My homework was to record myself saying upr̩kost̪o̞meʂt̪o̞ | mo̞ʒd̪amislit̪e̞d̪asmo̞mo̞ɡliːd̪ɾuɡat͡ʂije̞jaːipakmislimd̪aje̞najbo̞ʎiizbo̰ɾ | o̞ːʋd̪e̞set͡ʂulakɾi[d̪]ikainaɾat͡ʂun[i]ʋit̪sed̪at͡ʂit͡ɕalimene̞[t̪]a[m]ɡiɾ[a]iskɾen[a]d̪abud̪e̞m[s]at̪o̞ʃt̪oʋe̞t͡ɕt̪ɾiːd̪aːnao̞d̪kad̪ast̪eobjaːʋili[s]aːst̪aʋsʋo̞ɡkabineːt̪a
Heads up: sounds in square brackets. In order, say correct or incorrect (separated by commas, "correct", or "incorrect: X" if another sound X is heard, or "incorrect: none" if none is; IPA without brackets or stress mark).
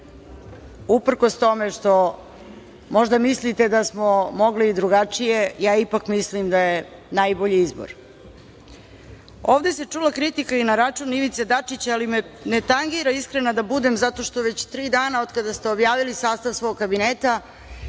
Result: incorrect: t̪, correct, correct, incorrect: ŋ, correct, correct, incorrect: z, correct